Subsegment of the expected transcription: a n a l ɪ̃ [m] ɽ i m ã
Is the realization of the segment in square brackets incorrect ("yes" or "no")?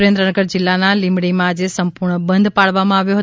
no